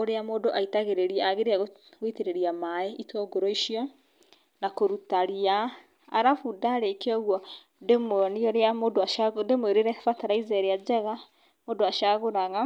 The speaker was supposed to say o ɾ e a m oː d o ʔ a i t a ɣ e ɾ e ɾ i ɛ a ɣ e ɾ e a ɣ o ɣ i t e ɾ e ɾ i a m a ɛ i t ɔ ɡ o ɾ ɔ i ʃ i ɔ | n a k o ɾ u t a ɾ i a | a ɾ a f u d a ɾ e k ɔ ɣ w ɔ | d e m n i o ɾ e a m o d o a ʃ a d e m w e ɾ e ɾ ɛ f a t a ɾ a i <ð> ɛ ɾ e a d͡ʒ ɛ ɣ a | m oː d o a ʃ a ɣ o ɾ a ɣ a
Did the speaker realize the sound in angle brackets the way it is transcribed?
no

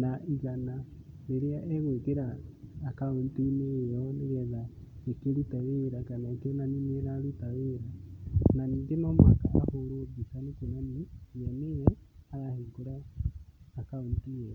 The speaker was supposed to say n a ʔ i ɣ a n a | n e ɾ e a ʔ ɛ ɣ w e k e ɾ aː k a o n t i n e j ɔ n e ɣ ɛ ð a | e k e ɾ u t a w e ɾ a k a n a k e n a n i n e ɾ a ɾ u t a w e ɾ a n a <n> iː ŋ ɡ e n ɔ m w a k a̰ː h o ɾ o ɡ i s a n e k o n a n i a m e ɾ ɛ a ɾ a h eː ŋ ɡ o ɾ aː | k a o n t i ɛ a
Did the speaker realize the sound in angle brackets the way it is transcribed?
yes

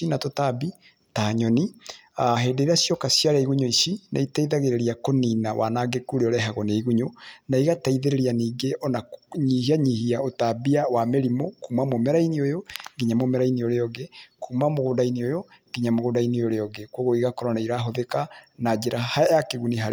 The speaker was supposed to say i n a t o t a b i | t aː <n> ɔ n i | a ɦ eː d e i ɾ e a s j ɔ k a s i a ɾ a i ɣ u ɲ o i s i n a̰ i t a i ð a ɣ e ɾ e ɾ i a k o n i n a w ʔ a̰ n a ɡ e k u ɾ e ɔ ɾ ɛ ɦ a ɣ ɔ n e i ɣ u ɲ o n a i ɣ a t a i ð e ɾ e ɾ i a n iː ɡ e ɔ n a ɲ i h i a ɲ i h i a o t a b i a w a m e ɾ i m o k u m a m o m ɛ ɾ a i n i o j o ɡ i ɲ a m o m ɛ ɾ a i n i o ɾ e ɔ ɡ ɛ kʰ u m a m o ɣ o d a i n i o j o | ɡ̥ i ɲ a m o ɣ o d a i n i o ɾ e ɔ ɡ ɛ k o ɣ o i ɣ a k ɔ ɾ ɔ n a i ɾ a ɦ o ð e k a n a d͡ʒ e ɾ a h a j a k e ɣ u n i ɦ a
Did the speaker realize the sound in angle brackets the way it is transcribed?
no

